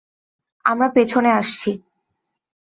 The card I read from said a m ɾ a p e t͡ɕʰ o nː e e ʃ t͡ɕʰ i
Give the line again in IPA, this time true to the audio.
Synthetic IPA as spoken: a m ɾ a p e t͡ɕʰ o n e a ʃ t͡ɕʰ i